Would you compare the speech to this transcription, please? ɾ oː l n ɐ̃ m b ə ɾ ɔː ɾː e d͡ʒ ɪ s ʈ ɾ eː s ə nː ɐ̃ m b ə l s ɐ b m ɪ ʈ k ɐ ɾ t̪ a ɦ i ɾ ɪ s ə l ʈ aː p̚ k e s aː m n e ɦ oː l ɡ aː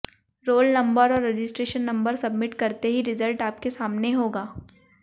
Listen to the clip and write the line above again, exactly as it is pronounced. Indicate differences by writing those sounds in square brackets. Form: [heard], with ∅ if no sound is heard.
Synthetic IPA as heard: ɾ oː l n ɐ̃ m b ə ɾ ɔː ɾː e d͡ʒ ɪ s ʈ ɾ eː [ʃ] ə nː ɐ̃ m b ə [ɾ] s ɐ b m ɪ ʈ k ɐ ɾ t̪ [e] ɦ i ɾ ɪ [z] ə l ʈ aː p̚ k e s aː m n e ɦ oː [∅] ɡ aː